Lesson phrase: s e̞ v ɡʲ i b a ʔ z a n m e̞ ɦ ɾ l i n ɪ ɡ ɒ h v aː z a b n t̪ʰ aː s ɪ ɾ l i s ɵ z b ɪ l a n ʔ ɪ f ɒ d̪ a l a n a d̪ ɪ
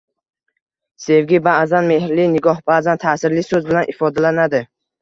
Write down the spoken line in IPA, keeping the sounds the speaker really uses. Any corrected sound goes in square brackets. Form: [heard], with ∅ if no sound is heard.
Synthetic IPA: s e̞ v ɡʲ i b a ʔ z a n m e̞ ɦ ɾ l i n ɪ ɡ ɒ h [b] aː z a [∅] n t̪ʰ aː s ɪ ɾ l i s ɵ z b ɪ l a n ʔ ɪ f ɒ d̪ a l a n a d̪ ɪ